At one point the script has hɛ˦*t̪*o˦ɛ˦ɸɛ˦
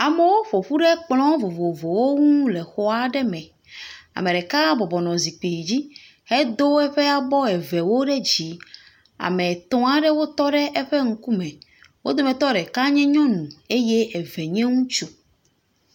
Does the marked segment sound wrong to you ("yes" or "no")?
yes